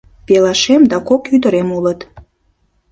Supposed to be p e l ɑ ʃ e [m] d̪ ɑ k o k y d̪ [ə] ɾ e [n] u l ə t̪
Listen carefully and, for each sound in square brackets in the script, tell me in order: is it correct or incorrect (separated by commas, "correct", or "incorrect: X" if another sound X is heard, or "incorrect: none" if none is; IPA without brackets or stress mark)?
correct, correct, incorrect: m